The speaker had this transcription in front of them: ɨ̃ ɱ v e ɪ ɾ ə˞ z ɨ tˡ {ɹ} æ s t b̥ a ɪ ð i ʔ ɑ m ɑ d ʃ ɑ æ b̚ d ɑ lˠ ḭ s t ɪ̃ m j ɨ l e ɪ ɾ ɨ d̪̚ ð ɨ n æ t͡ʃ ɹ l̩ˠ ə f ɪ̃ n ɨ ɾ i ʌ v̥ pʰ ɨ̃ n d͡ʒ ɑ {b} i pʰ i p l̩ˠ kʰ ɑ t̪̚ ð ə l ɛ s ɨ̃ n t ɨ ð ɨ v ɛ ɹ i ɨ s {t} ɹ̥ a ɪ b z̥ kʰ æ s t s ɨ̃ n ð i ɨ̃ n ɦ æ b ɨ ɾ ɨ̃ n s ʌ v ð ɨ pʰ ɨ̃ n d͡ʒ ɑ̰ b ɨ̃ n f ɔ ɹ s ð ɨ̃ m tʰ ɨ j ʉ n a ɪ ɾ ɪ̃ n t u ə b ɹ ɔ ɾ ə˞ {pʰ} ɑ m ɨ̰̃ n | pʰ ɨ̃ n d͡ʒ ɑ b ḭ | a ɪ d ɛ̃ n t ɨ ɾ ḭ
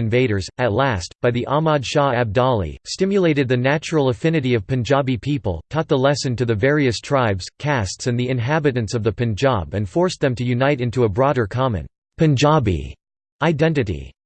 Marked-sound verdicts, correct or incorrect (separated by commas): incorrect, correct, incorrect, incorrect